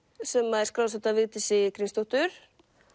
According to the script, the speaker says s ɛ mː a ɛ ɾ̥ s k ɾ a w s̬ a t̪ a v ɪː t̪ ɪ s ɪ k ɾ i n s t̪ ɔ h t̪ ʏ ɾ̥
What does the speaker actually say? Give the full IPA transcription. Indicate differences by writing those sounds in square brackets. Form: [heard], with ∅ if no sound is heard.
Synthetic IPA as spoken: s ɛ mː a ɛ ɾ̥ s k ɾ a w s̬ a t̪ a v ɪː t̪ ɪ s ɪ k ɾ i n s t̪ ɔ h t̪ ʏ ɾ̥